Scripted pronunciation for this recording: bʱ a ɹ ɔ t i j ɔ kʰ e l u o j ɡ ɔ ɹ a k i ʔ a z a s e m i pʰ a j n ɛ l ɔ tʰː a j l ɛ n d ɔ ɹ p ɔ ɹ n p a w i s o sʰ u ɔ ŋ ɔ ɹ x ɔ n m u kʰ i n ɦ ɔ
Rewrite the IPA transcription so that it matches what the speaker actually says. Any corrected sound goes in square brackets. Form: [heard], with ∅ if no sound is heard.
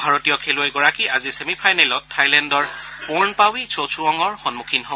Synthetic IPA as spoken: bʱ a ɹ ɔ t i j ɔ kʰ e l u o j ɡ ɔ ɹ a k i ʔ a z [i] s e m i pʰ a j n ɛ l ɔ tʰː a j l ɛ n d ɔ ɹ p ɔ ɹ n p a w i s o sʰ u ɔ ŋ ɔ ɹ x ɔ n m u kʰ i n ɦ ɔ